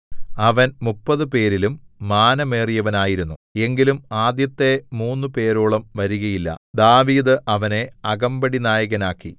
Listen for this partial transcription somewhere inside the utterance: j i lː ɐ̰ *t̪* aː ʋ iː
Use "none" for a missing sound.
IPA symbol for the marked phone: d̪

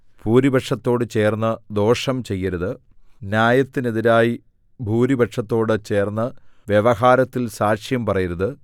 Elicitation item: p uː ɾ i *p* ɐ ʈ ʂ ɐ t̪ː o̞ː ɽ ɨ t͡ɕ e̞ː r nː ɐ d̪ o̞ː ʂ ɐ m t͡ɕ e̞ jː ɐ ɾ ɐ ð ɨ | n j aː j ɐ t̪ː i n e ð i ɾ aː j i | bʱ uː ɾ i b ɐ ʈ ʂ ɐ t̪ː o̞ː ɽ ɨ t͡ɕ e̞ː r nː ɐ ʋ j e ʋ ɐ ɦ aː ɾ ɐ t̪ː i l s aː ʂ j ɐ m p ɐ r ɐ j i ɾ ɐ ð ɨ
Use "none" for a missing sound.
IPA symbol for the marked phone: b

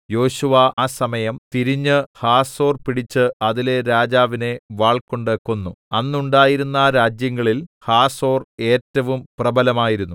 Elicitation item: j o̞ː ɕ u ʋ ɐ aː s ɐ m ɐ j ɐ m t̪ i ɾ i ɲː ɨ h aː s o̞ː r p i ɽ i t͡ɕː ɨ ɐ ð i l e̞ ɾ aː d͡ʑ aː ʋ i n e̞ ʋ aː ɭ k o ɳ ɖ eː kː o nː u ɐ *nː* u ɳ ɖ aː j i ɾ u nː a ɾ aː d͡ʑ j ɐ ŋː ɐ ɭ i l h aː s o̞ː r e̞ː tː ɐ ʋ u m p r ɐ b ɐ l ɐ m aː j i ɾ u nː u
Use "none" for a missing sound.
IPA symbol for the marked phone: nː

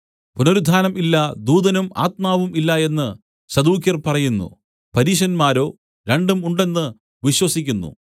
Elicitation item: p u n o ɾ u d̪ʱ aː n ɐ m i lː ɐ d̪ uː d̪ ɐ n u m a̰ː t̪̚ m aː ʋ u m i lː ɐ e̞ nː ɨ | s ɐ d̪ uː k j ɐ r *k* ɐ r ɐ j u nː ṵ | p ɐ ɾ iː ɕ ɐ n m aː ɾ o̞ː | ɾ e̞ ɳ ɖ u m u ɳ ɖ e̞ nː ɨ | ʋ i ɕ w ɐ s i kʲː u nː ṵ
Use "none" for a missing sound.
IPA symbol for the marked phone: p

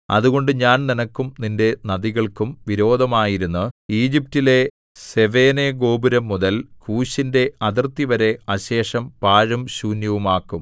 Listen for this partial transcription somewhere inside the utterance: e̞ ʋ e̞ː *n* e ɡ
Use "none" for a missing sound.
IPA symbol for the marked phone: n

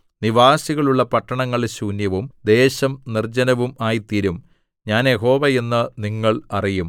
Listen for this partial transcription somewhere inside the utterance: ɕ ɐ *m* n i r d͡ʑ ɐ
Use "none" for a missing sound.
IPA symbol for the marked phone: m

